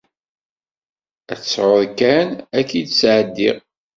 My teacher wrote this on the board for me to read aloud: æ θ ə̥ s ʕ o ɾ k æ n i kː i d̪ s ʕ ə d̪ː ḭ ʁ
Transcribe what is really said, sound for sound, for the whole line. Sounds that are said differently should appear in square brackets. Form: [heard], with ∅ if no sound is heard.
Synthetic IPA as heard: æ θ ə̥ s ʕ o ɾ k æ n [æ] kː i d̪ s ʕ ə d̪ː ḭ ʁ